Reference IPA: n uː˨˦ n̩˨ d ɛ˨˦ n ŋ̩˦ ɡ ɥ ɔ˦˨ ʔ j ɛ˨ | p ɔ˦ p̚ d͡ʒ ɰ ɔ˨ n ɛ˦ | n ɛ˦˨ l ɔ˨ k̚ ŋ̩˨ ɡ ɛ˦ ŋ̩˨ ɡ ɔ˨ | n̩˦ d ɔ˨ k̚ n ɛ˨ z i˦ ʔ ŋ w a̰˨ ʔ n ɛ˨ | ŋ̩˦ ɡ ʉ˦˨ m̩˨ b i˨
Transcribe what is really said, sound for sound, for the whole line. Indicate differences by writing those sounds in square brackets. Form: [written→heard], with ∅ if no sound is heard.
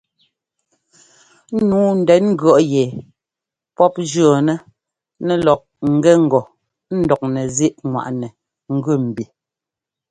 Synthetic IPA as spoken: n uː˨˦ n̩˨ d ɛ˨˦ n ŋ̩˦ ɡ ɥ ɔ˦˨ ʔ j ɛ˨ | p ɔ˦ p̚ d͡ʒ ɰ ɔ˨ n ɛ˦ | n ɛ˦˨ l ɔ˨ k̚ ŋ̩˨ ɡ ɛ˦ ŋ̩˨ ɡ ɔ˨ | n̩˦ d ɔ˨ k̚ n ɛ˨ z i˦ ʔ ŋ w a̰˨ ʔ n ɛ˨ | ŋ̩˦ ɡ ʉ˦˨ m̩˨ b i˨

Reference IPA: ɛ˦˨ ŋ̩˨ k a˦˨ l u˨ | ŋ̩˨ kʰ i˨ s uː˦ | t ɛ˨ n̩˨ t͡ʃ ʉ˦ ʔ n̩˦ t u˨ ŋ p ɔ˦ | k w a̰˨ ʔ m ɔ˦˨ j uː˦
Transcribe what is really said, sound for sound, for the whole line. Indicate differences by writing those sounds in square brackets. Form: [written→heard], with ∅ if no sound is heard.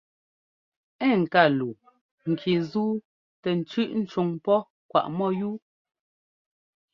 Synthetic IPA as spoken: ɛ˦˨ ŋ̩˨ k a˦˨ l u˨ | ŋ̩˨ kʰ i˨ [s→z] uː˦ | t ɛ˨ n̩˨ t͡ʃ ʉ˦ ʔ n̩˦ [t→t͡ʃ] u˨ ŋ p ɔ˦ | k w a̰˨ ʔ m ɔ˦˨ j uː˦

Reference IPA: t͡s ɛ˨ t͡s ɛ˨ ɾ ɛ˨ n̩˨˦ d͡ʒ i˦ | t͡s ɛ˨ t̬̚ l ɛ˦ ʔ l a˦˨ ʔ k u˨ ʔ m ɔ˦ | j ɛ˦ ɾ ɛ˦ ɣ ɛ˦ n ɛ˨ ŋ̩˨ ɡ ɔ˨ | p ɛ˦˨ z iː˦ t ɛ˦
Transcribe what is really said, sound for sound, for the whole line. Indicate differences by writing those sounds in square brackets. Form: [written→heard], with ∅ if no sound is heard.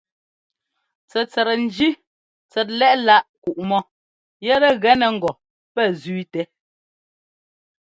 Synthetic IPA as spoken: t͡s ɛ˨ t͡s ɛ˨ ɾ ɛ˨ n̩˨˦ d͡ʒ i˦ | t͡s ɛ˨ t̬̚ l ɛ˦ ʔ l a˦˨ ʔ k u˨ ʔ m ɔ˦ | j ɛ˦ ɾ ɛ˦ ɣ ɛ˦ n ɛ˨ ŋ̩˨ ɡ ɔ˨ | p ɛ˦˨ z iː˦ t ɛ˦

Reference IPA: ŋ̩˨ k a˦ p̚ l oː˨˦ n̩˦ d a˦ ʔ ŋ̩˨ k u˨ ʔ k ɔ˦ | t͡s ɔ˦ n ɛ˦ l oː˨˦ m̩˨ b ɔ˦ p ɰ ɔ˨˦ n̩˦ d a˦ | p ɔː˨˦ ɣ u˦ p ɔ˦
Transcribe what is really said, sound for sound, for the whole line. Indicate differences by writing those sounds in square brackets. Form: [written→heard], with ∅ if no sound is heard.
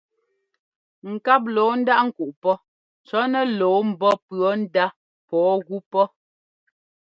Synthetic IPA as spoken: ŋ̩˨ k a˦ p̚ l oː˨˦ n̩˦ d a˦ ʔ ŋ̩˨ k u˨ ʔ [k→p] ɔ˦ | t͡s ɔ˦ n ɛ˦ l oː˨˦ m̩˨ b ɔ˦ p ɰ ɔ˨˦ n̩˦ d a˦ | p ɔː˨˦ ɣ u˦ p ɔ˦

